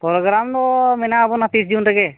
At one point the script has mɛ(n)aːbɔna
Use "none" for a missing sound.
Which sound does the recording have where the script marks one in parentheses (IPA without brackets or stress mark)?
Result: n